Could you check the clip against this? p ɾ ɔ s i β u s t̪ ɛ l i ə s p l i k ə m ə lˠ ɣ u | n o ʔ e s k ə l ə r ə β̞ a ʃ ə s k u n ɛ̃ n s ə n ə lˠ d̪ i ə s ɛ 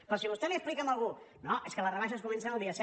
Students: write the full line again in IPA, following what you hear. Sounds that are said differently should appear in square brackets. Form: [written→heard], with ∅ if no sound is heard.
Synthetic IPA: p ɾ ɔ s i β u s t̪ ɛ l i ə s p l i k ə m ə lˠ ɣ u | n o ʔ e s k ə l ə r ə β̞ a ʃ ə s k u [n→m] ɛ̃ n s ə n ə lˠ d̪ i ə s ɛ